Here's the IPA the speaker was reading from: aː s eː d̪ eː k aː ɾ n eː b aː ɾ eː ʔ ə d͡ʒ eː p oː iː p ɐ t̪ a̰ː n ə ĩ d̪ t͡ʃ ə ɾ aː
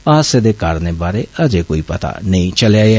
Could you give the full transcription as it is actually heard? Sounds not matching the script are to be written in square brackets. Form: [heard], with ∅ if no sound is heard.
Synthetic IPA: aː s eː d̪ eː k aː ɾ n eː b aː ɾ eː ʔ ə d͡ʒ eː [k] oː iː p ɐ t̪ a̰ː n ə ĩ [∅] t͡ʃ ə [l] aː